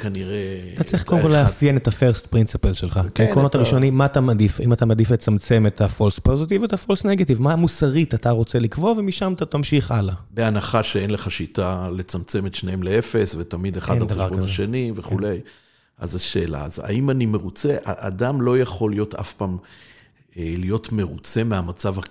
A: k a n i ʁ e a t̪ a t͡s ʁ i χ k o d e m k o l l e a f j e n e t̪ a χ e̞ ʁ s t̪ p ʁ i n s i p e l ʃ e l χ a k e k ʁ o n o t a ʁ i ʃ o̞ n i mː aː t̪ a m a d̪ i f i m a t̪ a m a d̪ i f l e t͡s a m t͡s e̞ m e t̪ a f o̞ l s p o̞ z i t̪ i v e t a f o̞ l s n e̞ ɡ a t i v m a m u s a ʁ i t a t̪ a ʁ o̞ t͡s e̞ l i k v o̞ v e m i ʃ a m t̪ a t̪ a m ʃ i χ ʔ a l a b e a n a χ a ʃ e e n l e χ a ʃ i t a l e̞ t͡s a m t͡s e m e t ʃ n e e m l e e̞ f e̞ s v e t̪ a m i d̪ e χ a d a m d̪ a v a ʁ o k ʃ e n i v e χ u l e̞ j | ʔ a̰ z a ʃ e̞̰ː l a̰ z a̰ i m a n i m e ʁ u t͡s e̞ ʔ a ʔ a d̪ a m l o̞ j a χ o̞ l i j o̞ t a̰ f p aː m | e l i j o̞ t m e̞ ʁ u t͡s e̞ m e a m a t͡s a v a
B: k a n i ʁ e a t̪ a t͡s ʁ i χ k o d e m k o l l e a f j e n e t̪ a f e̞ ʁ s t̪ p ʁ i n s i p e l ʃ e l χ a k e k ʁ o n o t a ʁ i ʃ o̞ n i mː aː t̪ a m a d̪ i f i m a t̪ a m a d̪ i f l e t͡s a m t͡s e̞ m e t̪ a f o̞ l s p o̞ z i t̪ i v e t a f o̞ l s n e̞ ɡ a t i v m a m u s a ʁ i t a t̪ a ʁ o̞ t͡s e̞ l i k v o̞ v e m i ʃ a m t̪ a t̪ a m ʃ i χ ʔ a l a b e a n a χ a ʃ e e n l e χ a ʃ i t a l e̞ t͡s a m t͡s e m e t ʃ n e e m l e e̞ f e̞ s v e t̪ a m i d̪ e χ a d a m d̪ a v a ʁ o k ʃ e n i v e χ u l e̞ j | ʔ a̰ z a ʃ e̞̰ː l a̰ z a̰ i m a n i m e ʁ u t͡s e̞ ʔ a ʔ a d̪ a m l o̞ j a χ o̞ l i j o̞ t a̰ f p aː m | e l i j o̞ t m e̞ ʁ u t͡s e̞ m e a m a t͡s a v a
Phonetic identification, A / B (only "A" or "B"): B